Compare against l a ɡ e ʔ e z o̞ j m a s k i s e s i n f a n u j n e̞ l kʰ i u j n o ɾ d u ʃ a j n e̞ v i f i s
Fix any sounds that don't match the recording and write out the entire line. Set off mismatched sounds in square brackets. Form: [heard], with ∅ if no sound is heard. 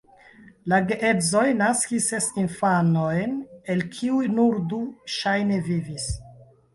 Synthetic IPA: l a ɡ e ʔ e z o̞ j [n] a s k i s e s i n f a n [o] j n e̞ l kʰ i u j n [u] ɾ d u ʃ a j n e̞ v i [v] i s